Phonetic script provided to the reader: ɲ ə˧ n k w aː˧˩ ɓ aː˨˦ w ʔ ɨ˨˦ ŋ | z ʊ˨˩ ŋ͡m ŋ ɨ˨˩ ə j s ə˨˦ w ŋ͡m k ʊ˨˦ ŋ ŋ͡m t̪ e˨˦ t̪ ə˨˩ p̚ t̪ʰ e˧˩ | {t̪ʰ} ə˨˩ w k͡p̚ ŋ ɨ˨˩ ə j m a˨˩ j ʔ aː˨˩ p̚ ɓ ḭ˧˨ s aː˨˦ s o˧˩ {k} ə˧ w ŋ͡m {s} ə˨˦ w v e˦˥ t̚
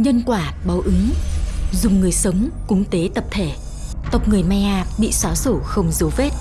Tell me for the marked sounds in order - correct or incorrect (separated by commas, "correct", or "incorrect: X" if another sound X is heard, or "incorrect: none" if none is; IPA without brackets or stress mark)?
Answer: incorrect: t̪, incorrect: x, incorrect: z